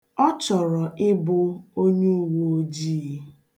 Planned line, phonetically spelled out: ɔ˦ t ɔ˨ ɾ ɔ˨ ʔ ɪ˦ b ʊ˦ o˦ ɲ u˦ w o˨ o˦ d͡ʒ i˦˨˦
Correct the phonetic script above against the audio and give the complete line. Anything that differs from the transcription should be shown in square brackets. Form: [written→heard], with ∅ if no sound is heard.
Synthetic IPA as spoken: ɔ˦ [t→t͡ʃ] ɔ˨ ɾ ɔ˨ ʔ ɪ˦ b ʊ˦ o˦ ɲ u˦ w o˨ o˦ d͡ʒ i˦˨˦